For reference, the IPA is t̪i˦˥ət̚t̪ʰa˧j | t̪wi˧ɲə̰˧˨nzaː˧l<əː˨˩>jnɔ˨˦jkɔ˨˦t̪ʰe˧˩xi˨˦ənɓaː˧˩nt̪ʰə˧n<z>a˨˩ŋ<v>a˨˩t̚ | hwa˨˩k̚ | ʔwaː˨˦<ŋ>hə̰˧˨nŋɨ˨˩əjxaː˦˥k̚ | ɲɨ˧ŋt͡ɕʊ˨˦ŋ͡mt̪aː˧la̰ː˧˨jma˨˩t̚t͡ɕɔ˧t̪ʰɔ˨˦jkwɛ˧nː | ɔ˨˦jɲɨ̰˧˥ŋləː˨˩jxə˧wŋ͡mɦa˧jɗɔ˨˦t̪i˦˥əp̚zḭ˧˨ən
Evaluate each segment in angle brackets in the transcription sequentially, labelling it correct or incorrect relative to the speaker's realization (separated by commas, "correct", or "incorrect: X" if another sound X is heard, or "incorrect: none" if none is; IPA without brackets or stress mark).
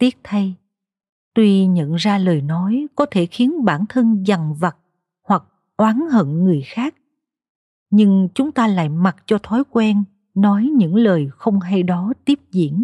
correct, correct, correct, incorrect: n